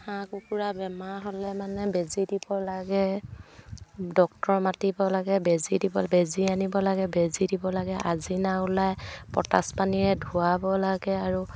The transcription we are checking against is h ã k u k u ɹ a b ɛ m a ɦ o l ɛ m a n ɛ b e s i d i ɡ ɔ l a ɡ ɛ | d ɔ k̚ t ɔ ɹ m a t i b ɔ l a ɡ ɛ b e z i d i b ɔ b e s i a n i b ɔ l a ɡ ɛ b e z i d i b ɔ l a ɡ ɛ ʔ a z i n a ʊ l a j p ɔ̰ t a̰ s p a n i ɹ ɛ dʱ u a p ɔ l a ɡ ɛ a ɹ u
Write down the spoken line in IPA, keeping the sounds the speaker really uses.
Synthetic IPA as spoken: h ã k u k u ɹ a b ɛ m a ɦ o l ɛ m a n ɛ b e z i d i b ɔ l a ɡ ɛ | d ɔ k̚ t ɔ ɹ m a t i b ɔ l a ɡ ɛ b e z i d i b ɔ b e z i a n i b ɔ l a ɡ ɛ b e z i d i b ɔ l a ɡ ɛ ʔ a z i n a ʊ l a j p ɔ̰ t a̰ s p a n i ɹ ɛ dʱ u a b ɔ l a ɡ ɛ a ɹ u